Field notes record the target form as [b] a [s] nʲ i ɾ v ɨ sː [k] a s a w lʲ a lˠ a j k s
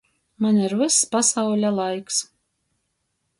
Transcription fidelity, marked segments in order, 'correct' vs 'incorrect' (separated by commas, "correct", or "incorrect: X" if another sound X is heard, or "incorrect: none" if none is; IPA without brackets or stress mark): incorrect: m, incorrect: none, incorrect: p